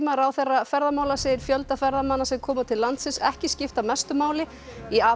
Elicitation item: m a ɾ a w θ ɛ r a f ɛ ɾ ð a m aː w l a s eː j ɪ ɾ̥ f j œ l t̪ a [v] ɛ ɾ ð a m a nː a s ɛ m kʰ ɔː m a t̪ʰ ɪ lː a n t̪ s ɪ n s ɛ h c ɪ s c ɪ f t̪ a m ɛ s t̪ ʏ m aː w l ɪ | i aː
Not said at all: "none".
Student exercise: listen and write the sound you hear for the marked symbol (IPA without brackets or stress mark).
f